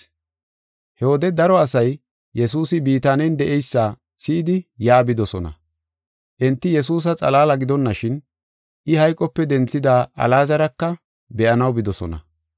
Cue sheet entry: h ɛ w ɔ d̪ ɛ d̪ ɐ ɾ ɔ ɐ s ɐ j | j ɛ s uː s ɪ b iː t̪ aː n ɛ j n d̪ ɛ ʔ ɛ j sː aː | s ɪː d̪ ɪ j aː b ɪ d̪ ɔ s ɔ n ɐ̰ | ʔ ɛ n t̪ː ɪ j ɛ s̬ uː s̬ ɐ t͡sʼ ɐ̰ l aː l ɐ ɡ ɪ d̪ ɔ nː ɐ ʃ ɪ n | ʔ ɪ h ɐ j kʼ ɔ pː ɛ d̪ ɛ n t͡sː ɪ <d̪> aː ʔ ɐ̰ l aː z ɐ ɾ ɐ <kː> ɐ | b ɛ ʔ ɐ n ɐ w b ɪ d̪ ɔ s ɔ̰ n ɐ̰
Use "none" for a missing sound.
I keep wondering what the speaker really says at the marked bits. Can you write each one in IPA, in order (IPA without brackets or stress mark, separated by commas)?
d̪, kː